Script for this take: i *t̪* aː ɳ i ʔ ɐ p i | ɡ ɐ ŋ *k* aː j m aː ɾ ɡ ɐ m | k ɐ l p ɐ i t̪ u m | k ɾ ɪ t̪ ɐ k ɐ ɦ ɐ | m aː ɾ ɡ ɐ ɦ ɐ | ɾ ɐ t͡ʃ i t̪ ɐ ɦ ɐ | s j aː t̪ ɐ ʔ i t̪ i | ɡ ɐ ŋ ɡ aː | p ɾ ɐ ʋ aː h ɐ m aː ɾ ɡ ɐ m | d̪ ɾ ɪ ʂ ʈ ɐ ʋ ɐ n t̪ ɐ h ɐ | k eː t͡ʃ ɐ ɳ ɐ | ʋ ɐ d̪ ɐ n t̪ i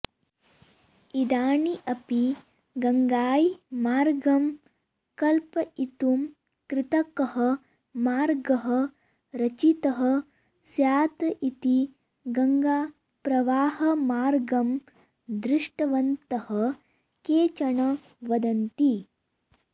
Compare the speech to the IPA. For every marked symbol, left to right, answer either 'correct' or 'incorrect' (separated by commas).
incorrect, incorrect